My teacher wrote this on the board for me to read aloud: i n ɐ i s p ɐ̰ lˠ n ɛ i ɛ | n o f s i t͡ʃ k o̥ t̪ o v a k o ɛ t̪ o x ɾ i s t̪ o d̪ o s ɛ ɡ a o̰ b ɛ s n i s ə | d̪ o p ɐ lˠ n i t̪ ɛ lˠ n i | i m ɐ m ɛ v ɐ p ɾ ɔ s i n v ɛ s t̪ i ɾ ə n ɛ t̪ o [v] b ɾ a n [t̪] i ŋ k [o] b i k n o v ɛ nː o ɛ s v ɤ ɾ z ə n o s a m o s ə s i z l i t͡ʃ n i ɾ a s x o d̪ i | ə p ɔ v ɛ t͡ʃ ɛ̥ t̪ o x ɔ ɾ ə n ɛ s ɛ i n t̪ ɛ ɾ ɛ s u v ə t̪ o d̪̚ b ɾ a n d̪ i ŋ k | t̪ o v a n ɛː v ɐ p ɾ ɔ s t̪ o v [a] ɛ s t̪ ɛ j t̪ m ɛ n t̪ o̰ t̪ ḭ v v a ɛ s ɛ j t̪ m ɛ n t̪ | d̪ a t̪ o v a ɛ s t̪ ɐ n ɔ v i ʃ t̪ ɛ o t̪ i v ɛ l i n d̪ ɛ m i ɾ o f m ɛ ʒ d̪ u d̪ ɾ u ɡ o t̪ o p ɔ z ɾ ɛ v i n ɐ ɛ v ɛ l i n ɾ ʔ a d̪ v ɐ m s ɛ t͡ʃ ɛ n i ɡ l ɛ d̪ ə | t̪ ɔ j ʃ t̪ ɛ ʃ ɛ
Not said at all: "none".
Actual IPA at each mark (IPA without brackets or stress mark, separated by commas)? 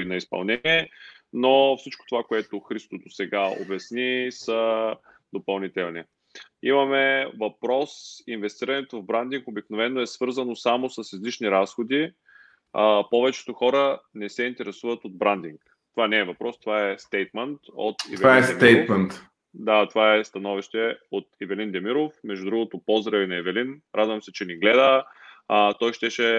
v, d̪, o, a